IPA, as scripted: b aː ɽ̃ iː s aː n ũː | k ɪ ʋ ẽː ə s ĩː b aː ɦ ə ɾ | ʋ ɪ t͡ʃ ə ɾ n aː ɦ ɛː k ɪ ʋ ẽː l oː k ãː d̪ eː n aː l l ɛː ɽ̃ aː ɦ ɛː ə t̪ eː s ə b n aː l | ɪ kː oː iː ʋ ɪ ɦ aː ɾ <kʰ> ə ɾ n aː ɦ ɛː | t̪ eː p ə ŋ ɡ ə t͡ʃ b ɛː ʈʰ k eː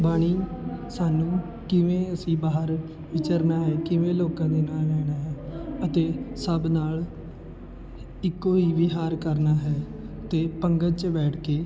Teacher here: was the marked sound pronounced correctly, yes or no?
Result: no